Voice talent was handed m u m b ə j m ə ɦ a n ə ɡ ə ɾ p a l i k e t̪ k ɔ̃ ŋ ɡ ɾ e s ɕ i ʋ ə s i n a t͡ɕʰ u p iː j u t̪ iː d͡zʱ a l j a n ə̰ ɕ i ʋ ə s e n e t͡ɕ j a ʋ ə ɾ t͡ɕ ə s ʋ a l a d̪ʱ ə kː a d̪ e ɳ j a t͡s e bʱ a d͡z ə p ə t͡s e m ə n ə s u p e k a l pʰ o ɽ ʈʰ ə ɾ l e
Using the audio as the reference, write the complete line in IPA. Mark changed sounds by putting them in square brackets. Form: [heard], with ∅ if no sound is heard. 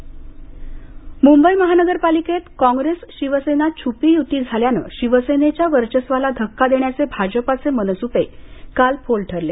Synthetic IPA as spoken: m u m b ə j m ə ɦ a n ə ɡ ə ɾ p a l i k e t̪ k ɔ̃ ŋ ɡ ɾ e s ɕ i ʋ ə s [e] n a t͡ɕʰ u p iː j u t̪ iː d͡zʱ a l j a n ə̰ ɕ i ʋ ə s e n e t͡ɕ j a ʋ ə ɾ t͡ɕ ə s ʋ a l a d̪ʱ ə kː a d̪ e ɳ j a t͡s e bʱ a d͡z ə p [a] t͡s e m ə n ə s u p e k a l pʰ o [l] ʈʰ ə ɾ l e